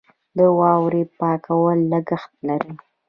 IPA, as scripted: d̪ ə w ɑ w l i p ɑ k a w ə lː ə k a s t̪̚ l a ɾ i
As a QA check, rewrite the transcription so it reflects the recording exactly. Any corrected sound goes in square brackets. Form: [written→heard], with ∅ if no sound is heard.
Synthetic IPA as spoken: d̪ ə w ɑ w [l→ɾ] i p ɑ k a w ə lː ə [k→ɡ] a [s→x] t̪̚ l a ɾ i